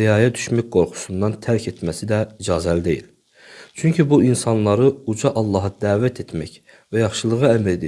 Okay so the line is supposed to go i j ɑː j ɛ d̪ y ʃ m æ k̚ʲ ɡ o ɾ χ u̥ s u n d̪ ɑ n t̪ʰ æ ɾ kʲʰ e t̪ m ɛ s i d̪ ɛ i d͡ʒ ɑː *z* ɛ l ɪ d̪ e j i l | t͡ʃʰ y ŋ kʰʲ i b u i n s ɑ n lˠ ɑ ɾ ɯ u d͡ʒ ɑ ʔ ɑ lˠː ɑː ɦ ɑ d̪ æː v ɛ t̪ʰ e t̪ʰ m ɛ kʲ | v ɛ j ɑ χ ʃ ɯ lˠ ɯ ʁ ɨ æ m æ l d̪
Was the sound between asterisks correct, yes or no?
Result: yes